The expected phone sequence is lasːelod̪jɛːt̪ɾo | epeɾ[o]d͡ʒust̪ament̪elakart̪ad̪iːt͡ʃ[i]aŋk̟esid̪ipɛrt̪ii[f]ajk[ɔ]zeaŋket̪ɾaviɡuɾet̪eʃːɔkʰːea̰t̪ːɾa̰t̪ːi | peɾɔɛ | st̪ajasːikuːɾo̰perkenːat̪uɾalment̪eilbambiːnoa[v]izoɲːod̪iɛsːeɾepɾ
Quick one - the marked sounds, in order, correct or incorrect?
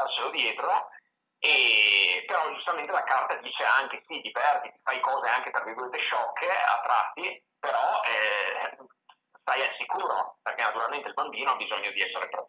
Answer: incorrect, incorrect, correct, incorrect, incorrect

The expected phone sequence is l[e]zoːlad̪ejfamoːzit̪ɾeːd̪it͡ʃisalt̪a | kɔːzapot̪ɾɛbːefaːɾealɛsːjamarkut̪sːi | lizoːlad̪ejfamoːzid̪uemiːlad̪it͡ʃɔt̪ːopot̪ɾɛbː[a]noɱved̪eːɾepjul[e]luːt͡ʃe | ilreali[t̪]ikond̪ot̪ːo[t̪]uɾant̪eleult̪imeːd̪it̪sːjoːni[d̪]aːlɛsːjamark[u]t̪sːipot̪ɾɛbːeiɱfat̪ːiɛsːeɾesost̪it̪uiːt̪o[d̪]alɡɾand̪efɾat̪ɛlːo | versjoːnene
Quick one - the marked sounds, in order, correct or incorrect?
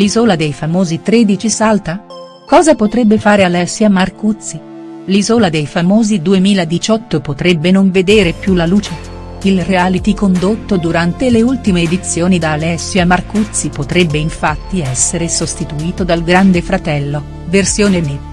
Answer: incorrect, incorrect, incorrect, correct, incorrect, correct, correct, correct

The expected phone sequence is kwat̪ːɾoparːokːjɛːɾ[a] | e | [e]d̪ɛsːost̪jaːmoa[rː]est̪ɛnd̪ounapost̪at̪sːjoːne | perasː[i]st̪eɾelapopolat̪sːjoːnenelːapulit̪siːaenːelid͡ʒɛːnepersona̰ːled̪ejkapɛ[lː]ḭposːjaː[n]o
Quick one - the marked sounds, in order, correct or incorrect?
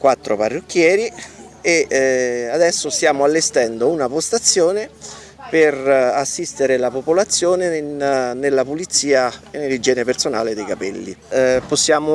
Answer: incorrect, incorrect, incorrect, correct, correct, incorrect

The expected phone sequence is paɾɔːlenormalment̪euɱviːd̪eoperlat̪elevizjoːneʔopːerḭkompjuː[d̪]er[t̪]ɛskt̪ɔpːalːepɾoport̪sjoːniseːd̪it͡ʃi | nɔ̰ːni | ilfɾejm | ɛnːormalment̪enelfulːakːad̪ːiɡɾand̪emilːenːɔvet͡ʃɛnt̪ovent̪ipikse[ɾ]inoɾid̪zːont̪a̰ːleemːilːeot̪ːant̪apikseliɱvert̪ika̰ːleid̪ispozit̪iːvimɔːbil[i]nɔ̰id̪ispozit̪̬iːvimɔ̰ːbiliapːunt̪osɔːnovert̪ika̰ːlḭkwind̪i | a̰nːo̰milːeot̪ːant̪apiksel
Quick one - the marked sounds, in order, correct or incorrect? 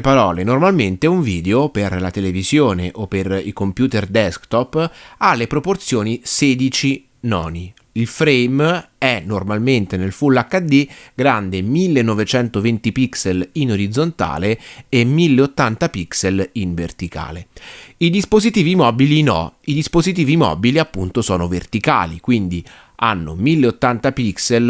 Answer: incorrect, incorrect, incorrect, correct

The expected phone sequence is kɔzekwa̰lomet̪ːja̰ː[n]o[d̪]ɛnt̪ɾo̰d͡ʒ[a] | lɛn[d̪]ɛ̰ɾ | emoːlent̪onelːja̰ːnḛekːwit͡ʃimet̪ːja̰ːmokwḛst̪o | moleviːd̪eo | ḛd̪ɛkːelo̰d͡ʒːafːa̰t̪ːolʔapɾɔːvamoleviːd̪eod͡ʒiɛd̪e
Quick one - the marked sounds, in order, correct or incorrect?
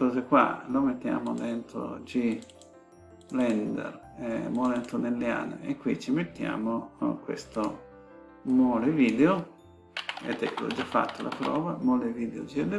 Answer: incorrect, correct, incorrect, correct

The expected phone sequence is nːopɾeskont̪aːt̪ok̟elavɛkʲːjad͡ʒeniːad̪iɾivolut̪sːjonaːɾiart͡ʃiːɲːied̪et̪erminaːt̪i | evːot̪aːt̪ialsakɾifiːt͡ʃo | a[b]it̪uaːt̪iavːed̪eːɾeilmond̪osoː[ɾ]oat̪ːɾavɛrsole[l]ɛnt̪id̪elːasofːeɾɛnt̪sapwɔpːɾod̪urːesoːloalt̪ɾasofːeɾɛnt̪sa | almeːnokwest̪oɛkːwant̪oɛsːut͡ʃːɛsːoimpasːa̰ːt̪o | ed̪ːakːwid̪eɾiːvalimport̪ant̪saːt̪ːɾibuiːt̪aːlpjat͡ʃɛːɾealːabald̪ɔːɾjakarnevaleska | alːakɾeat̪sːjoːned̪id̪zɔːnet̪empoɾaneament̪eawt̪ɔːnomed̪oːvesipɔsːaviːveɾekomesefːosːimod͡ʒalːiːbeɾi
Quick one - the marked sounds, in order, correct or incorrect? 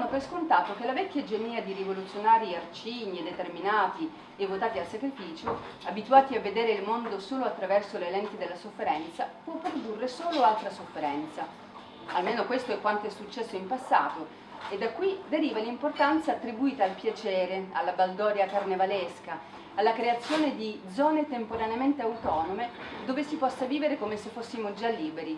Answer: correct, incorrect, correct

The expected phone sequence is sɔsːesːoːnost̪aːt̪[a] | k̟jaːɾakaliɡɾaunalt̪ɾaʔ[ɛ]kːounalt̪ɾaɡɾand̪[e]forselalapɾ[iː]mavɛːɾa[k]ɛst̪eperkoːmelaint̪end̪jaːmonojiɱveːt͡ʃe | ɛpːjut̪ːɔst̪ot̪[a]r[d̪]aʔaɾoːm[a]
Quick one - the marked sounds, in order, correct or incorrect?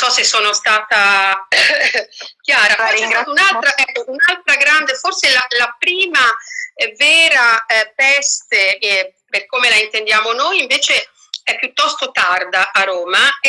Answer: correct, correct, correct, correct, incorrect, correct, correct, correct

